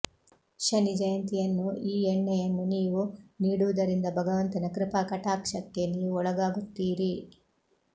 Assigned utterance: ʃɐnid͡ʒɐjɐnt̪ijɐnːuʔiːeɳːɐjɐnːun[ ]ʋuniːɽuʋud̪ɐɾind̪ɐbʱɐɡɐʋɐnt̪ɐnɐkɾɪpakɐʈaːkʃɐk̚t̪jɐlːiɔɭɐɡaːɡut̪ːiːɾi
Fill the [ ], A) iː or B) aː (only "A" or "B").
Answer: A